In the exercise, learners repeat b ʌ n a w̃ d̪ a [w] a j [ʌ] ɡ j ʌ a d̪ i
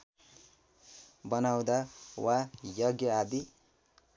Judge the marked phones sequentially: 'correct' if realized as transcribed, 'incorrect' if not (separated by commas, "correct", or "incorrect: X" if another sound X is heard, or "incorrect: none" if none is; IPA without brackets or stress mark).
correct, correct